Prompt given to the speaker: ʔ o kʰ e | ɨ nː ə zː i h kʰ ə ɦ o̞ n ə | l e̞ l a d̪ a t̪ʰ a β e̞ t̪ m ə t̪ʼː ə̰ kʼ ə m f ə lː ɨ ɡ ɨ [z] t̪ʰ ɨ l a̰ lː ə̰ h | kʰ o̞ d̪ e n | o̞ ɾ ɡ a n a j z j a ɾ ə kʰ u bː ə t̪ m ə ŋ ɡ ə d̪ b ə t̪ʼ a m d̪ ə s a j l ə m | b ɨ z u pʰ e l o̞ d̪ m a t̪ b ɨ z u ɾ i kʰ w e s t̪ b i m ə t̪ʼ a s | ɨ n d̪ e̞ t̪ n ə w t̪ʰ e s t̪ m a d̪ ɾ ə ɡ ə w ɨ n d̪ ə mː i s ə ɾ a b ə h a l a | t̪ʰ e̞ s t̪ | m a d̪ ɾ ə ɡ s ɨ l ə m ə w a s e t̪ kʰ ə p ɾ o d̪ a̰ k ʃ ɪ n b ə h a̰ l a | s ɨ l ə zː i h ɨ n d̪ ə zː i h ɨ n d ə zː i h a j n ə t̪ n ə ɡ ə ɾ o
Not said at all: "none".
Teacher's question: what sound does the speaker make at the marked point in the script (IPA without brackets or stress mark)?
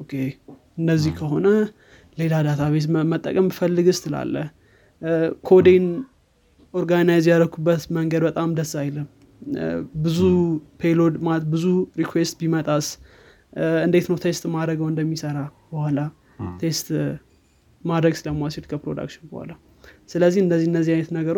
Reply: s